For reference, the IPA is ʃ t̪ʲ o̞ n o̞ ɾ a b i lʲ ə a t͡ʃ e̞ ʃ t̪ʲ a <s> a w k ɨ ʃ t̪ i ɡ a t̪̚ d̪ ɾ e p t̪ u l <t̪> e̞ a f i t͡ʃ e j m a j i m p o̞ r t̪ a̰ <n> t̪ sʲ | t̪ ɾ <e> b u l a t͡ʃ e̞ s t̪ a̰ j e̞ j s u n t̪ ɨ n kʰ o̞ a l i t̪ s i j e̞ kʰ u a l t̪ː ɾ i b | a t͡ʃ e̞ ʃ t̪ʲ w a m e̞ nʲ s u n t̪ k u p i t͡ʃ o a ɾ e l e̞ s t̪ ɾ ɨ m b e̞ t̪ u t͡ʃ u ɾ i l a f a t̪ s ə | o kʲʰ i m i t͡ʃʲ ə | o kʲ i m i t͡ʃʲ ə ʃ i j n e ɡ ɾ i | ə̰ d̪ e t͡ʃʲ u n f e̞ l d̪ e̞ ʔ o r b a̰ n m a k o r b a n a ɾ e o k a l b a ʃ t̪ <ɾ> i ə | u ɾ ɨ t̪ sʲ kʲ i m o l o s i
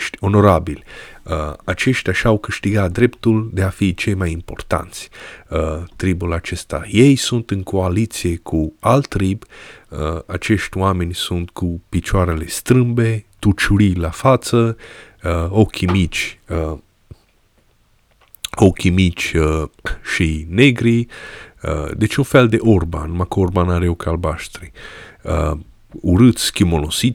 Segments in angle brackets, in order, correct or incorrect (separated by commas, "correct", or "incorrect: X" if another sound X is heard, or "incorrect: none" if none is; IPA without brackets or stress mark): incorrect: ʃ, incorrect: d̪, correct, incorrect: i, correct